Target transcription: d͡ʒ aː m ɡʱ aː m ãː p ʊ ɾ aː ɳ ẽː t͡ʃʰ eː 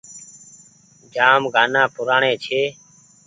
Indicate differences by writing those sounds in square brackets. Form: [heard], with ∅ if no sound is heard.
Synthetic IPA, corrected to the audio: d͡ʒ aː m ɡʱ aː [n] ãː p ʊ ɾ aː ɳ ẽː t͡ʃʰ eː